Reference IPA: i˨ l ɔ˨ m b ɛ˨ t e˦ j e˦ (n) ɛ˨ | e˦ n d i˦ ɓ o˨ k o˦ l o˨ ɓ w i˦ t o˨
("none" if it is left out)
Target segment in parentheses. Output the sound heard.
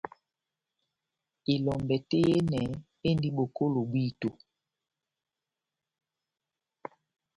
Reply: n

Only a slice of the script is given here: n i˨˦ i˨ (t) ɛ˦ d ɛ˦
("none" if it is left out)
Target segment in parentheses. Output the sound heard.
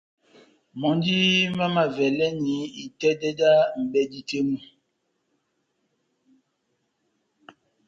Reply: t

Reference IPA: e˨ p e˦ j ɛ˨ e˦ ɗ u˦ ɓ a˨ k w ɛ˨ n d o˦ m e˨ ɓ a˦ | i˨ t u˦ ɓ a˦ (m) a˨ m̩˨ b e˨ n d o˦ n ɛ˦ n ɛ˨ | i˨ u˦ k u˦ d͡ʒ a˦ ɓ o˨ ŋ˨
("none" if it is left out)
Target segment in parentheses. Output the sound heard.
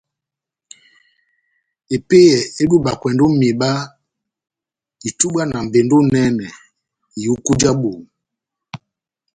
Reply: n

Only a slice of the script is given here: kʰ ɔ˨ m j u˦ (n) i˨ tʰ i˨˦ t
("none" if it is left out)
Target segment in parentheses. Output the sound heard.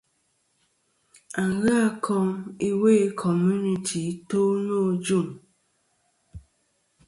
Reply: n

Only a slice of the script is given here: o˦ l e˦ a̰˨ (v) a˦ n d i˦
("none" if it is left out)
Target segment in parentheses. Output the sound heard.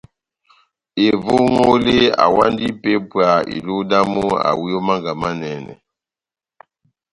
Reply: w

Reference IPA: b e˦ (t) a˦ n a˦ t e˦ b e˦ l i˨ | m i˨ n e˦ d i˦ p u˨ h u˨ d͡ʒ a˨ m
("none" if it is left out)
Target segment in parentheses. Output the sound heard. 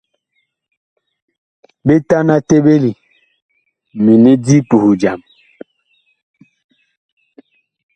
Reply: t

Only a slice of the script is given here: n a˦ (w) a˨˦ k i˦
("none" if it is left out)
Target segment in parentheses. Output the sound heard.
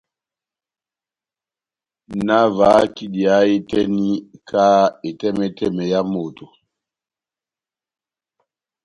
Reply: v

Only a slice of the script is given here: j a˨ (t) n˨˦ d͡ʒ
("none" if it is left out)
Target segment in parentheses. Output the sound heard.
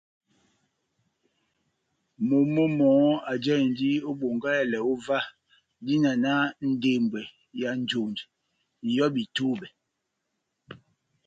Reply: none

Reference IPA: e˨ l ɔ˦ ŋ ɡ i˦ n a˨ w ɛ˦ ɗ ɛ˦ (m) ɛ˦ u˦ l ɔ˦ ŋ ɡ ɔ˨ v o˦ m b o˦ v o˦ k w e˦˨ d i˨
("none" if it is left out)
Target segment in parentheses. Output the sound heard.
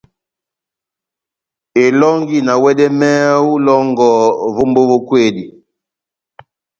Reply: m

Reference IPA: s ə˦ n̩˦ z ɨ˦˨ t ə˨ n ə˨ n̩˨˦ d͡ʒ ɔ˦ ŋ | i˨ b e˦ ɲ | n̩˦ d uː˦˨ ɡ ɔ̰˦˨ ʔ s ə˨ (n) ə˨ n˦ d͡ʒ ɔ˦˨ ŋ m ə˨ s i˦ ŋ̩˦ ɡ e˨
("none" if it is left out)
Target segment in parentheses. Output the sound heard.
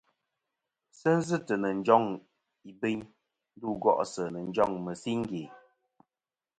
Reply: n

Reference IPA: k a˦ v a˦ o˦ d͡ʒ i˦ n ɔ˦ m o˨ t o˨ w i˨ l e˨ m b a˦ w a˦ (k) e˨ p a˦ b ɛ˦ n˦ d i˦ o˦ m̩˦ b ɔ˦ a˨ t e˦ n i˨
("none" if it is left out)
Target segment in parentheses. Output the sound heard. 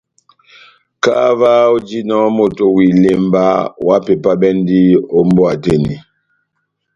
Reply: p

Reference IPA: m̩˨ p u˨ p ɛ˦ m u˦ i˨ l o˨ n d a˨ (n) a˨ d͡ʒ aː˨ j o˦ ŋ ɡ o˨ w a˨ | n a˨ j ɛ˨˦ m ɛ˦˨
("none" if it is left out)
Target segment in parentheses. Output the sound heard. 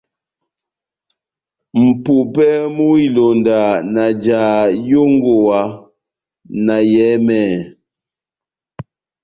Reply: n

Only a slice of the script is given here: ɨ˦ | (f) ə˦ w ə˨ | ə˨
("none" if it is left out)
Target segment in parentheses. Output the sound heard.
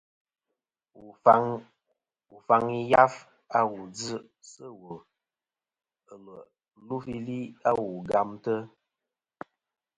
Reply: s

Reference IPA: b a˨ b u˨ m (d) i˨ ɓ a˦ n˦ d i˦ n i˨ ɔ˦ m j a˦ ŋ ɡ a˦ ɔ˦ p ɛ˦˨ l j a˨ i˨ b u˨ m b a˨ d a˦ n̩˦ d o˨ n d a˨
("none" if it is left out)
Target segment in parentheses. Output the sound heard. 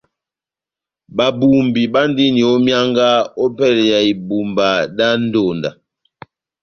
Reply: b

